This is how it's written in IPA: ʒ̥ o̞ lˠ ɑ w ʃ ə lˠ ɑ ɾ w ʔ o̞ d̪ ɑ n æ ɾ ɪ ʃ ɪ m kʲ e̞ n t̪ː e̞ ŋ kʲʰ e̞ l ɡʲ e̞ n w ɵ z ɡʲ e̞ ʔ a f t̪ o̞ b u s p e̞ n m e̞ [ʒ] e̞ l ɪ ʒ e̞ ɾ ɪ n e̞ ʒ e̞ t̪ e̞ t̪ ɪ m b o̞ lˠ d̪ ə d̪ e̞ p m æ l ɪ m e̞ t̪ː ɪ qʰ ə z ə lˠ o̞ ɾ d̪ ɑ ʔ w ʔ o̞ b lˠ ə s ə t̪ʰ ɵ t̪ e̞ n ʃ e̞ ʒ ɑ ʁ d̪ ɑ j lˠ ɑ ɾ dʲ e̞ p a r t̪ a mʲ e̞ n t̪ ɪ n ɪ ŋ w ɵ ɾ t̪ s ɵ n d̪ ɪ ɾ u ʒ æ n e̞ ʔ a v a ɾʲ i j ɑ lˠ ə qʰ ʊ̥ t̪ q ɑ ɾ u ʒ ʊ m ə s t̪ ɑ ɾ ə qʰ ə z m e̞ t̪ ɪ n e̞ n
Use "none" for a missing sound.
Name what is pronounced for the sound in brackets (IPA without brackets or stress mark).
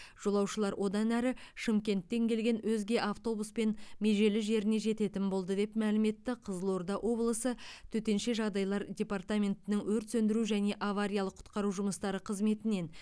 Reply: ʒ